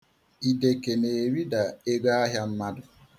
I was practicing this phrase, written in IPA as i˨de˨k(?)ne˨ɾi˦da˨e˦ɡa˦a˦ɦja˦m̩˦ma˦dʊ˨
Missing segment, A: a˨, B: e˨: B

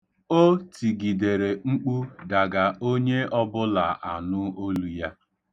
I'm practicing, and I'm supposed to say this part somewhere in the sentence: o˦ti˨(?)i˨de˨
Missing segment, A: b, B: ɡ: B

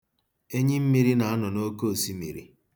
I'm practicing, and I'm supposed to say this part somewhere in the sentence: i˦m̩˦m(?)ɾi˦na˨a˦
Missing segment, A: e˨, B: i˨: B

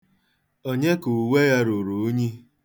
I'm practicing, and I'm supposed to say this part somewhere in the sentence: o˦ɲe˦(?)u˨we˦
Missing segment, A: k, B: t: A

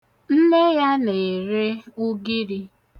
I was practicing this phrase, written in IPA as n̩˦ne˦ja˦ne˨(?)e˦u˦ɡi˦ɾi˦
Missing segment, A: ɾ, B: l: A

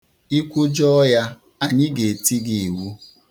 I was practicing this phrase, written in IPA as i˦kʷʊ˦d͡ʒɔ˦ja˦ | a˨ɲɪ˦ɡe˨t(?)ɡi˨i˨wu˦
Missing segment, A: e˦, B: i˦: B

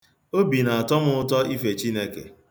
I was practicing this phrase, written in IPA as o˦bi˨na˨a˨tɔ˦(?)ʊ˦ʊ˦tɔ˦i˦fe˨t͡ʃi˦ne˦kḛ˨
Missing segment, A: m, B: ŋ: A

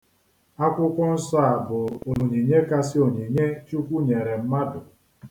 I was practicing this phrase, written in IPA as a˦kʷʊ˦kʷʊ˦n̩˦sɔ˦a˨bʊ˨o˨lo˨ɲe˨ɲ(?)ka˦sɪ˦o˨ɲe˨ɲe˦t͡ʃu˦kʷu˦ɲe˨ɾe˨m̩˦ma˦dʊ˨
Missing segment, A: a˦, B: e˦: B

